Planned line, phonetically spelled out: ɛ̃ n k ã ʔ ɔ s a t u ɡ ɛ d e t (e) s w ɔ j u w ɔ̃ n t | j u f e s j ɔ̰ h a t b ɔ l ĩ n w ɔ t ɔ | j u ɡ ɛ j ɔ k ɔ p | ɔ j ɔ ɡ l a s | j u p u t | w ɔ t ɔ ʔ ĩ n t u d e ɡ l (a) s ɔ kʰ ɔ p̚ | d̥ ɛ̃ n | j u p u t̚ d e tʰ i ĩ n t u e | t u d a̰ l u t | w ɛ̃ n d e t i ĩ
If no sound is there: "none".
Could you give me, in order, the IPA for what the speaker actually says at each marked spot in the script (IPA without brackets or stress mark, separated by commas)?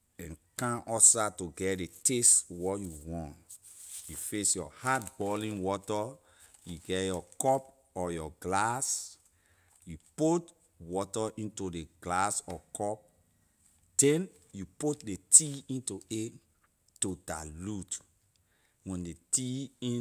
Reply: e, a